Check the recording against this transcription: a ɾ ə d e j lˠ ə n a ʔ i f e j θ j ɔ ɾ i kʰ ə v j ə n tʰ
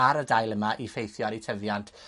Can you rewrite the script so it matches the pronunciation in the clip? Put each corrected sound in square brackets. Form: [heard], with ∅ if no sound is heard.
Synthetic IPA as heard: a ɾ ə d [a] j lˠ ə [m] a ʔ i f e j θ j ɔ ɾ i [tʰ] ə v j [a] n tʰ